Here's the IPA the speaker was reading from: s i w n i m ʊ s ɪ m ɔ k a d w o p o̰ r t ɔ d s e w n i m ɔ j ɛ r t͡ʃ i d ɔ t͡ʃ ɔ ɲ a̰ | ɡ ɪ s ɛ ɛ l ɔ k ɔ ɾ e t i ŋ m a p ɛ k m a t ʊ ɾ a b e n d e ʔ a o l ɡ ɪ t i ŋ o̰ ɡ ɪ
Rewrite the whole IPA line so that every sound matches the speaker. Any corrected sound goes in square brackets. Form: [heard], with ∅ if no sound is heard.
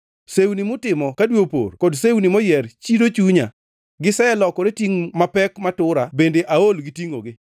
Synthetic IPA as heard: s [e] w n i m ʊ [t] ɪ m ɔ k a d w o p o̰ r [k] ɔ d s e w n i m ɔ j ɛ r t͡ʃ i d [o] t͡ʃ [u] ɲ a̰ | ɡ ɪ s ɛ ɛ l ɔ k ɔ ɾ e t i ŋ m a p ɛ k m a t ʊ ɾ a b e n d e ʔ a o l ɡ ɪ t i ŋ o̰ ɡ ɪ